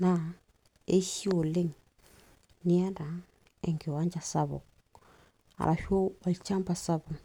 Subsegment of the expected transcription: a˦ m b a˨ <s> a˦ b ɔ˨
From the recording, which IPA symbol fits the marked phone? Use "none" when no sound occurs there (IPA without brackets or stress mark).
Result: s